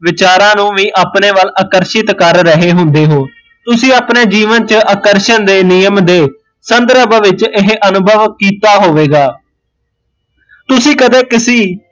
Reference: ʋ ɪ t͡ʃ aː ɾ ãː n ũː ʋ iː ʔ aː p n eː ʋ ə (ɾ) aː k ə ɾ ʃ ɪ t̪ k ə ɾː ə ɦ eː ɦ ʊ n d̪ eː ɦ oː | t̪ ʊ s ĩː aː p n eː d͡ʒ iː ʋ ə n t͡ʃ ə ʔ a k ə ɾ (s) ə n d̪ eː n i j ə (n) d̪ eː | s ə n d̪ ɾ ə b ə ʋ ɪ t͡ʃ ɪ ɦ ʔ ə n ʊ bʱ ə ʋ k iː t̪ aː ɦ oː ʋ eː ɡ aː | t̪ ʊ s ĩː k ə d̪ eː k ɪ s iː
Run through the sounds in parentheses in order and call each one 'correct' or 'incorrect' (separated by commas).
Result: incorrect, incorrect, incorrect